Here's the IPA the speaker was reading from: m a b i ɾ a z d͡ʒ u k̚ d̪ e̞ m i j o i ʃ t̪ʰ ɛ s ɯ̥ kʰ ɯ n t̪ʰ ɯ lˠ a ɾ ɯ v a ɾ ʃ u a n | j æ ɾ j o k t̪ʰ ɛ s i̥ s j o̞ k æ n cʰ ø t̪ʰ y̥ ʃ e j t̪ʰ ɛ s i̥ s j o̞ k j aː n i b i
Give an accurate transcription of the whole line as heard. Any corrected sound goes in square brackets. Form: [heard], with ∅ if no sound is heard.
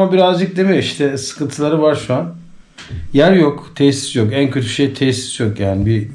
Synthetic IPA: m a b i ɾ a z d͡ʒ [ɯ] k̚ d̪ e̞ m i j o i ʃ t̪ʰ ɛ s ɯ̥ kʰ ɯ n t̪ʰ ɯ lˠ a ɾ ɯ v a ɾ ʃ u a n | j æ ɾ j o k t̪ʰ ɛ s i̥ s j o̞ k æ n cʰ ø t̪ʰ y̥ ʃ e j t̪ʰ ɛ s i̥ s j o̞ k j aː n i b i